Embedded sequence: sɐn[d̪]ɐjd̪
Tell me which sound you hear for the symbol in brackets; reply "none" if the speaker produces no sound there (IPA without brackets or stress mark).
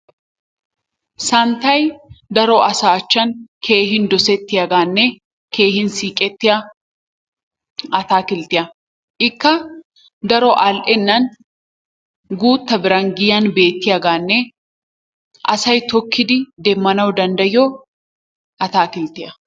t̪